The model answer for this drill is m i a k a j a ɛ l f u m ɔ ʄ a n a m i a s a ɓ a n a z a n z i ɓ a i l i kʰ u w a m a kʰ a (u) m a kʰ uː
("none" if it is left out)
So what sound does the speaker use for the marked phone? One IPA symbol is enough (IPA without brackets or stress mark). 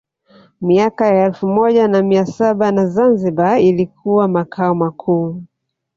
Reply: ɔ